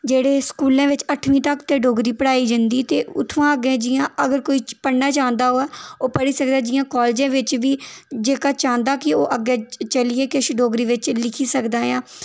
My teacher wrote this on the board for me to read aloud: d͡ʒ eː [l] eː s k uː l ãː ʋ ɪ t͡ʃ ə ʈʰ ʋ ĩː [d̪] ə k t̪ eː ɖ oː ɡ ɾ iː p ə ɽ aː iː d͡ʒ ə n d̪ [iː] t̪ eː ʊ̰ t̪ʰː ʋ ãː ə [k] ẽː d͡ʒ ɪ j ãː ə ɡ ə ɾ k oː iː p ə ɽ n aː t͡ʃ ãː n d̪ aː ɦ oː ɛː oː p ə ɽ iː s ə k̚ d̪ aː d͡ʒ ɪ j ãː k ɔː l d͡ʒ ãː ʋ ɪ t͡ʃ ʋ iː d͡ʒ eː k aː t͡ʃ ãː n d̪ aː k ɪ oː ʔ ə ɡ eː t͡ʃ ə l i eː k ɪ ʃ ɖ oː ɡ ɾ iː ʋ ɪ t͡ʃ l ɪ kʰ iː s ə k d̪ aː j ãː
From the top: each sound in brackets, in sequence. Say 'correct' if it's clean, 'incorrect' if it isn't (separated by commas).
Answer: incorrect, incorrect, correct, incorrect